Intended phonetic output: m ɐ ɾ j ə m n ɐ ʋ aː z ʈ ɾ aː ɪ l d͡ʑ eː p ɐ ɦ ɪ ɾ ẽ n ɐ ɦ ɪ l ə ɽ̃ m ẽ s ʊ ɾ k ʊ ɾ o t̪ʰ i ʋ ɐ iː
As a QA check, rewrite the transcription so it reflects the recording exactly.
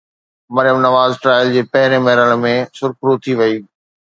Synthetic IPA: m ɐ ɾ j ə m n ɐ ʋ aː z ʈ ɾ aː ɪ l d͡ʑ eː p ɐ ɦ ɪ ɾ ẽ m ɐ ɦ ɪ ɾ ə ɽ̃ m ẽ s ʊ ɾ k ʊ ɾ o t̪ʰ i ʋ ɐ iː